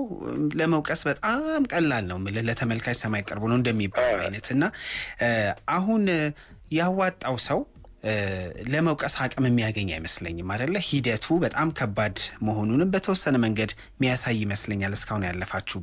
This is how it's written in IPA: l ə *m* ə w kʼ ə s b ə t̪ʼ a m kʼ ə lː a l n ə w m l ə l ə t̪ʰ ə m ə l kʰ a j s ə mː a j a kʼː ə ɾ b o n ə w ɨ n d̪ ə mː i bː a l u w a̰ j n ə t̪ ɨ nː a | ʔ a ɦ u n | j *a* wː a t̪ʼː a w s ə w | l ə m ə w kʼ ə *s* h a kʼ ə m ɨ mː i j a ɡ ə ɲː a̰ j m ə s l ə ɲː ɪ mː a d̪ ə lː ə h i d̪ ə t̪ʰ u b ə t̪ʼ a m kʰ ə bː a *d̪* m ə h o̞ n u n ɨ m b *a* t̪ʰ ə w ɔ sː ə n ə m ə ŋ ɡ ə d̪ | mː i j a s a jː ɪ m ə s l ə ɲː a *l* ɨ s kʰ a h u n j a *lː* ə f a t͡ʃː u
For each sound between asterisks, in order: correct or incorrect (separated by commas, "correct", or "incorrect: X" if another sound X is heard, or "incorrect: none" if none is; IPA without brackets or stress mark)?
correct, correct, correct, correct, incorrect: ə, correct, correct